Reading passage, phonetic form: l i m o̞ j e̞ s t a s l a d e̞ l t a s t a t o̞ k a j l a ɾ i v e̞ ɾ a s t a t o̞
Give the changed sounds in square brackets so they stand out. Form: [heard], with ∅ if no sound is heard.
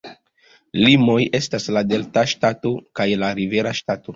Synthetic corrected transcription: l i m o̞ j e̞ s t a s l a d e̞ l t a [ʃ] t a t o̞ k a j l a ɾ i v e̞ ɾ a [ʃ] t a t o̞